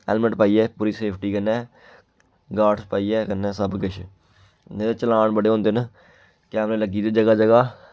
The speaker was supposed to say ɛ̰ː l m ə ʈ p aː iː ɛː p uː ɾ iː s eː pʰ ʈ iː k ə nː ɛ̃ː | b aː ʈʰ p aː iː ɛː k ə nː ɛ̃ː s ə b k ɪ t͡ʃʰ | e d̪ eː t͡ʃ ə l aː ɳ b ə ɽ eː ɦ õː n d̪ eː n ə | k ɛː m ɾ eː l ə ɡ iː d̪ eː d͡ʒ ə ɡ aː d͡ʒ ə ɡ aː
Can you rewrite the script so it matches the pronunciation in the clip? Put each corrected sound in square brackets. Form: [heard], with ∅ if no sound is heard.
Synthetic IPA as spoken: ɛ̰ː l m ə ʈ p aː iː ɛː p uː ɾ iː s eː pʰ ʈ iː k ə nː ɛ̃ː | [ɡ] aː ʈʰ p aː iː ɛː k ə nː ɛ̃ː s ə b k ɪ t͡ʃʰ | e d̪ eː t͡ʃ ə l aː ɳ b ə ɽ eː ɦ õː n d̪ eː n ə | k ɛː m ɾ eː l ə ɡ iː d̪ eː d͡ʒ ə ɡ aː d͡ʒ ə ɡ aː